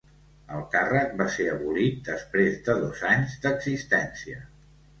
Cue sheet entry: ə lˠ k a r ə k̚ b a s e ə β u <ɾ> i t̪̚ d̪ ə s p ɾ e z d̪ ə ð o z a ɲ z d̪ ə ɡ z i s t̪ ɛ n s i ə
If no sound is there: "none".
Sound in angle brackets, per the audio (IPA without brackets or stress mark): l